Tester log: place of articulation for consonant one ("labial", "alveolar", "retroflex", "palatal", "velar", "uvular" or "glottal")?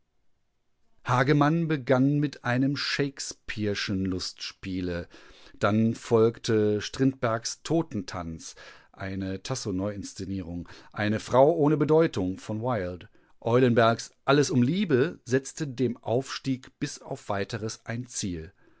glottal